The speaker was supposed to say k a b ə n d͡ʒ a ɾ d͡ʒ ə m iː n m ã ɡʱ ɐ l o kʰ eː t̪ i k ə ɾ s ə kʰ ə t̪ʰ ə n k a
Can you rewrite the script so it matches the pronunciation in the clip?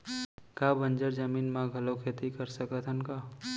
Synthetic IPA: k a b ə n d͡ʒ ə ɾ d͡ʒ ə m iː n m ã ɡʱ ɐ l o kʰ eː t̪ i k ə ɾ s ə k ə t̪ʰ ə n k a